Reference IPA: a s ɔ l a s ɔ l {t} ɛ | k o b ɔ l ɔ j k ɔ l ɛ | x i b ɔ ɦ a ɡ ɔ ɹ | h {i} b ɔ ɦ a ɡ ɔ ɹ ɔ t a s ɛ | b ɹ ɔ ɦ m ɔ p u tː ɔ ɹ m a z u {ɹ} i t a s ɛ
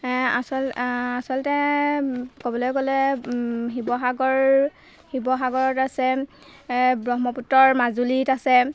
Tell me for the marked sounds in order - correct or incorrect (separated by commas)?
correct, correct, incorrect